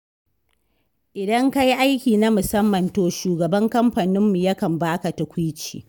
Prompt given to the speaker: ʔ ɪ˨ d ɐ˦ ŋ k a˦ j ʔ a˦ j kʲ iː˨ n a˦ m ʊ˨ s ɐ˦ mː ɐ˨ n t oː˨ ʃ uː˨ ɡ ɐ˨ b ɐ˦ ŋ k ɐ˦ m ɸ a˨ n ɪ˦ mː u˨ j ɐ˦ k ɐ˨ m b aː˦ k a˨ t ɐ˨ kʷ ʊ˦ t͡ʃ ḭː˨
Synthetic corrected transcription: ʔ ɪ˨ d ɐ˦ ŋ k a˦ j ʔ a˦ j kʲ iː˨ n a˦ m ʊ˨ s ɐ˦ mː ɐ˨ n t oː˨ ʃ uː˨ ɡ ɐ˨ b ɐ˦ ŋ k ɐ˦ m ɸ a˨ n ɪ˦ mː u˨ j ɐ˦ k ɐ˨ m b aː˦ k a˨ t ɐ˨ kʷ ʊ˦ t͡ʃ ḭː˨